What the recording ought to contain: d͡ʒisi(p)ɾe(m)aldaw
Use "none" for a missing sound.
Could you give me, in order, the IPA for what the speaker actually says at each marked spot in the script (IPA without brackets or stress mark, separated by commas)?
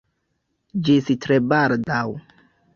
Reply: t, b